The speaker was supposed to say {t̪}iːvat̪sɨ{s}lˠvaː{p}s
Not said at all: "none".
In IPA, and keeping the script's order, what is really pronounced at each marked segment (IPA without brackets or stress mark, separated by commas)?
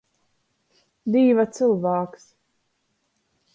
d̪, none, k